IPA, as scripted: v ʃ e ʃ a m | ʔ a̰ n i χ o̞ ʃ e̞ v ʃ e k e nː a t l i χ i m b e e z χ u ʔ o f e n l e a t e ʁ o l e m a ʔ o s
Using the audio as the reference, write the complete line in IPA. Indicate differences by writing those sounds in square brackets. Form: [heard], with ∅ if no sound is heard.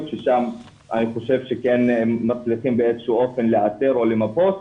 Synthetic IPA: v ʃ e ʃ a m | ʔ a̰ n i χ o̞ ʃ e̞ v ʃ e k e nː a [t͡s] l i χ i m b e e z [ʃ] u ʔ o f e n l e a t e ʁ o l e m a [p] o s